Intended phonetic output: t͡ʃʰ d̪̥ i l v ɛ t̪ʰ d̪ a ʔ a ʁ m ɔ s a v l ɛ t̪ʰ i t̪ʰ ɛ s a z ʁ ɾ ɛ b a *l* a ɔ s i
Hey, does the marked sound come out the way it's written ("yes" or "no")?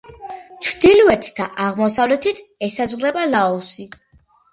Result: yes